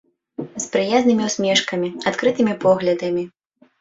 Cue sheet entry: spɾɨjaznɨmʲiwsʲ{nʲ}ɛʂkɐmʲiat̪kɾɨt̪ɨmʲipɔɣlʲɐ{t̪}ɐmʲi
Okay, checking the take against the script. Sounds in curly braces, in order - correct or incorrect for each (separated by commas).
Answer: incorrect, incorrect